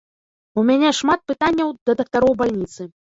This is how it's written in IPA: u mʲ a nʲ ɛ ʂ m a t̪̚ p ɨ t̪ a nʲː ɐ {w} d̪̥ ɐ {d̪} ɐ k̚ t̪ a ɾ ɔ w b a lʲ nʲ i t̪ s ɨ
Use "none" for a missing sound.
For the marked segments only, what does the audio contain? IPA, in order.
w, d̪

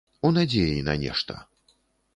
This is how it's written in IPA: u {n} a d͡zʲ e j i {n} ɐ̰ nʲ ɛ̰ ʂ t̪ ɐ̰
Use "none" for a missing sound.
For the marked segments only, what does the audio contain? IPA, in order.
n, n

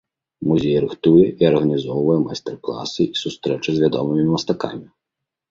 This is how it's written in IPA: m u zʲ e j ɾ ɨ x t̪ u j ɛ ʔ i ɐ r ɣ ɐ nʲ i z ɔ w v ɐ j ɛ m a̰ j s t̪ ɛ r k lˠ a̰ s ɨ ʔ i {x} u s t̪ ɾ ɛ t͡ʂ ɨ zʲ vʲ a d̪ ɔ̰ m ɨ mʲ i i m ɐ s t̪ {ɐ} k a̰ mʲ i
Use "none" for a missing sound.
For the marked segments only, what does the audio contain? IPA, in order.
s, a

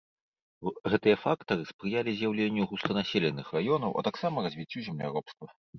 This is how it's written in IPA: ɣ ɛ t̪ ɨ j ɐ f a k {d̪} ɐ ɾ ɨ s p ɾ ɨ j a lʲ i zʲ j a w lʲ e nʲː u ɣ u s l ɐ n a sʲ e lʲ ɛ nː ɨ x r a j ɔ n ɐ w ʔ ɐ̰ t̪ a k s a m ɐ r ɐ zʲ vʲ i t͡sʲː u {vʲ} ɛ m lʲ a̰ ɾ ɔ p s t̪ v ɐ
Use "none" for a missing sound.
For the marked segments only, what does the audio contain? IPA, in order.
t̪, zʲ

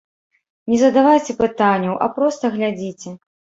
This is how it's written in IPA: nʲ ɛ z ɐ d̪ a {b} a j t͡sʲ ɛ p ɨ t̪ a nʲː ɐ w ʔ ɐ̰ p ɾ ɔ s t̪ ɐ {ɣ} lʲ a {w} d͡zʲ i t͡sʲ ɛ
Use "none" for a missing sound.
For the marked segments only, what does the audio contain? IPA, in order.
v, ɣ, none

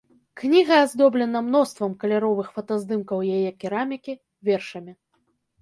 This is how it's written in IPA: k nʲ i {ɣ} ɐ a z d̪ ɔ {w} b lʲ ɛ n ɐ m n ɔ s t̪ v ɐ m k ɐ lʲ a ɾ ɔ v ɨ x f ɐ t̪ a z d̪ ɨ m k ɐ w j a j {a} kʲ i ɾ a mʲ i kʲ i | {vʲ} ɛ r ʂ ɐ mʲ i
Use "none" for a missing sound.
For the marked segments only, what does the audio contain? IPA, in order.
ɣ, none, ɛ, vʲ

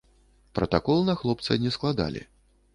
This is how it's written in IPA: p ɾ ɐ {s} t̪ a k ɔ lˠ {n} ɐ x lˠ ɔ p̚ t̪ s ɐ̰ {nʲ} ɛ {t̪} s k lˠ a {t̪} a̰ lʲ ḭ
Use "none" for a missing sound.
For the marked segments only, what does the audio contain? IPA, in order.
none, n, nʲ, none, d̪

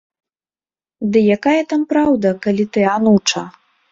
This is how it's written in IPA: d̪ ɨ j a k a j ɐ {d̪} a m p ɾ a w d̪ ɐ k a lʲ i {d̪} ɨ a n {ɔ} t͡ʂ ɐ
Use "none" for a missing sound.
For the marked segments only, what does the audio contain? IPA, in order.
t̪, t̪, u

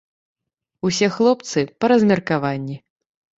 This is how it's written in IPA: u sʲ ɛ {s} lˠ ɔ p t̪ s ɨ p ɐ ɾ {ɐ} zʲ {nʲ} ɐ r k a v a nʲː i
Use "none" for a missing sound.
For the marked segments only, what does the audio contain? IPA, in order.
x, ɐ, mʲ

